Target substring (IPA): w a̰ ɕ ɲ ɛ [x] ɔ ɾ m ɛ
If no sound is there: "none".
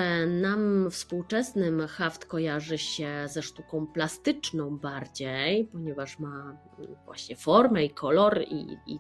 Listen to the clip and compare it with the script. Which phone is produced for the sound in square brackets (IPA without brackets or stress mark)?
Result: f